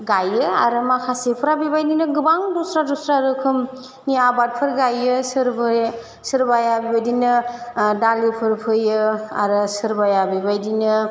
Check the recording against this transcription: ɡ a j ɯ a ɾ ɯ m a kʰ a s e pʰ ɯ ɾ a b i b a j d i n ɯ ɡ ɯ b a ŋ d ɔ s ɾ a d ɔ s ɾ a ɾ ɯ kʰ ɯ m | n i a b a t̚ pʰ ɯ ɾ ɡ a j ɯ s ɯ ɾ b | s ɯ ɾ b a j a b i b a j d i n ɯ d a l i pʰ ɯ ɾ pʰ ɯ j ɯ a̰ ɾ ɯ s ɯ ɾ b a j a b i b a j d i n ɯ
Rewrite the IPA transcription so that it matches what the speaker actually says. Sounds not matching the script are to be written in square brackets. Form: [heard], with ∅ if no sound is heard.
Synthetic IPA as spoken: ɡ a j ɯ a ɾ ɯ m a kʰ a s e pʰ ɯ ɾ a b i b a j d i n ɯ ɡ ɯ b a ŋ d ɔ s ɾ a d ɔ s ɾ a ɾ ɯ kʰ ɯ m | n i a b a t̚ pʰ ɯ ɾ ɡ a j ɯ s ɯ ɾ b | s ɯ ɾ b a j a b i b a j d i n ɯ d a l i pʰ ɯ ɾ pʰ ɯ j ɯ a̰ ɾ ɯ s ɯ ɾ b a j a b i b a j d i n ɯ